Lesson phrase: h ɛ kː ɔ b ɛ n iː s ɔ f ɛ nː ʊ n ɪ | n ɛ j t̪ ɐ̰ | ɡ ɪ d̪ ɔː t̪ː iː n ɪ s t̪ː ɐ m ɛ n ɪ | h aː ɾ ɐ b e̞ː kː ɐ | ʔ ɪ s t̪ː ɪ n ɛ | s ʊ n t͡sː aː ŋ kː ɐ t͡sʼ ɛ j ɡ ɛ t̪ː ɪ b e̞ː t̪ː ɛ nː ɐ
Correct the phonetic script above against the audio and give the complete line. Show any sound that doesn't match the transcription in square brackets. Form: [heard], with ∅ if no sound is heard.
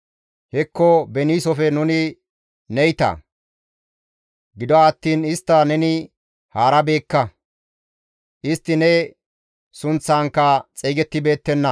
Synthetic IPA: h ɛ kː ɔ b ɛ n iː s ɔ f ɛ [n] ʊ n ɪ | n ɛ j t̪ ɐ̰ | ɡ ɪ d̪ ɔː t̪ː iː n ɪ s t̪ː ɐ [n] ɛ n ɪ | h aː ɾ ɐ b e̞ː kː ɐ | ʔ ɪ s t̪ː ɪ n ɛ | s ʊ n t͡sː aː ŋ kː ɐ t͡sʼ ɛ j ɡ ɛ t̪ː ɪ b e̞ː t̪ː ɛ nː ɐ

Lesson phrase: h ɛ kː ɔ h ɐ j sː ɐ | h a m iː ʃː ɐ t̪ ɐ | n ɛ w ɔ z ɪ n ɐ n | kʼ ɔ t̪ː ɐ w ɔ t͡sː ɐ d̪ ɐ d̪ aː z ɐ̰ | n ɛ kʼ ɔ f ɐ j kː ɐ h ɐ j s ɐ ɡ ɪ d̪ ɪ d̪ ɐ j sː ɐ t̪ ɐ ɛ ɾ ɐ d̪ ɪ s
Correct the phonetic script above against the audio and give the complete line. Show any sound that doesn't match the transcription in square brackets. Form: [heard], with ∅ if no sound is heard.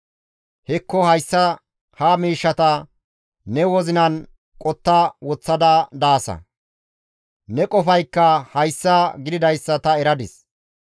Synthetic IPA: h ɛ kː ɔ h ɐ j sː ɐ | h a m iː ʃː ɐ t̪ ɐ | n ɛ w ɔ z ɪ n ɐ n | kʼ ɔ t̪ː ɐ w ɔ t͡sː ɐ d̪ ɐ d̪ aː [s] ɐ̰ | n ɛ kʼ ɔ f ɐ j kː ɐ h ɐ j [sː] ɐ ɡ ɪ d̪ ɪ d̪ ɐ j sː ɐ t̪ ɐ ɛ ɾ ɐ d̪ ɪ s

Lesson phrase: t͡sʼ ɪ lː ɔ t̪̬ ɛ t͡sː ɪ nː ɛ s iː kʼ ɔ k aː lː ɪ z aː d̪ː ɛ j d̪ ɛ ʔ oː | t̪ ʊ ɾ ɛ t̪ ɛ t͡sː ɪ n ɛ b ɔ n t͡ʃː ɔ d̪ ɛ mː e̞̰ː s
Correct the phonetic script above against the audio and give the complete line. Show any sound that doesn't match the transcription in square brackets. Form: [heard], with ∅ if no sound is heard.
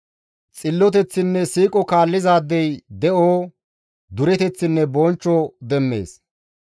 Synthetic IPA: t͡sʼ ɪ lː ɔ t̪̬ ɛ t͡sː ɪ nː ɛ s iː kʼ ɔ k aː lː ɪ z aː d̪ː ɛ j d̪ ɛ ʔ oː | [d̪] ʊ ɾ ɛ t̪ ɛ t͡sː ɪ [nː] ɛ b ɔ n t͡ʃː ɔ d̪ ɛ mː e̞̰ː s

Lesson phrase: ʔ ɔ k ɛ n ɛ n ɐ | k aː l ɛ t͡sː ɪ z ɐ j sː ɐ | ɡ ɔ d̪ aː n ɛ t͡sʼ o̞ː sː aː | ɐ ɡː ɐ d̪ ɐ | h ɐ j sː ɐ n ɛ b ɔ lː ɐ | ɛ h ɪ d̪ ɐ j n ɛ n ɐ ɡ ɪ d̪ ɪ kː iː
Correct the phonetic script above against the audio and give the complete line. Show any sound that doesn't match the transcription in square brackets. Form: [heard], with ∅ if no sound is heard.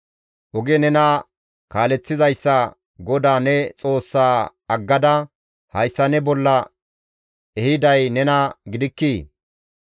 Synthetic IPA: ʔ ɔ [ɡ] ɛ n ɛ n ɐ | k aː l ɛ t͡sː ɪ z ɐ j sː ɐ | ɡ ɔ d̪ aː n ɛ t͡sʼ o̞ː sː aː | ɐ ɡː ɐ d̪ ɐ | h ɐ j sː ɐ n ɛ b ɔ lː ɐ | ɛ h ɪ d̪ ɐ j n ɛ n ɐ ɡ ɪ d̪ ɪ kː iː

